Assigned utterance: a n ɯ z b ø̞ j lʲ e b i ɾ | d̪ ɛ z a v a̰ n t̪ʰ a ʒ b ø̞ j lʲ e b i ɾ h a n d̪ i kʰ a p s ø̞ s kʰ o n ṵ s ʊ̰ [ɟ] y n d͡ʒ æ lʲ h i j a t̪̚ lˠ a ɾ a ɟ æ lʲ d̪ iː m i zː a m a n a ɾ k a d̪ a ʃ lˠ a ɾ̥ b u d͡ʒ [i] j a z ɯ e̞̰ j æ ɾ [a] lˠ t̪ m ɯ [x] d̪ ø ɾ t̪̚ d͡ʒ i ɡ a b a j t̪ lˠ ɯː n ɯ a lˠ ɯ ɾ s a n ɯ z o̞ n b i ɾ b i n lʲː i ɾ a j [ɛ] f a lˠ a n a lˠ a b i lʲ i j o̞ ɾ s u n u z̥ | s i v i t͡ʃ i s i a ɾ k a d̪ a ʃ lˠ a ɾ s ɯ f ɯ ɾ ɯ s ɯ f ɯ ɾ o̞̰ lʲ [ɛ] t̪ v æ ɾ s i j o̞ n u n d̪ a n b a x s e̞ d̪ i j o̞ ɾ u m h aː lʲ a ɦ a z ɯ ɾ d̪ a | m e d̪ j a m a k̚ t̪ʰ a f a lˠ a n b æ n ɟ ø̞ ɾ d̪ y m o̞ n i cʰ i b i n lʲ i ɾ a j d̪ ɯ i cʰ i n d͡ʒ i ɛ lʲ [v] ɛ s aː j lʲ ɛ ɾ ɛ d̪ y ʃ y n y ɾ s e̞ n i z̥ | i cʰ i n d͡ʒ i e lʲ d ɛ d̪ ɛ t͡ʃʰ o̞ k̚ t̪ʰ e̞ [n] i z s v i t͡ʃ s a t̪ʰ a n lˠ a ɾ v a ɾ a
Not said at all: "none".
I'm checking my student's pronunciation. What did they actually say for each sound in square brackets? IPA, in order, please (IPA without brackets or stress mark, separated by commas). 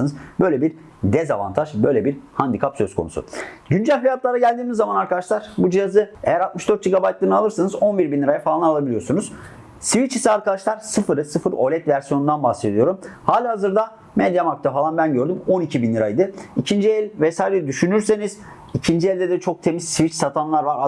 ɟ, i, a, ʃ, a, ɛ, v, m